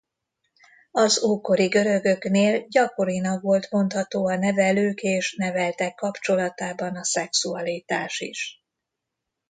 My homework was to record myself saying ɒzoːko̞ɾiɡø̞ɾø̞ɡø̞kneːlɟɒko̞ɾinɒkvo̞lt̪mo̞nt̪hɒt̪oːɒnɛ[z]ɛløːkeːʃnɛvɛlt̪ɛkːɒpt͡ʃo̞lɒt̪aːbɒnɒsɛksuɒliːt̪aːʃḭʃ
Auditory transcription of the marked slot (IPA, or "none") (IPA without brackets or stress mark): v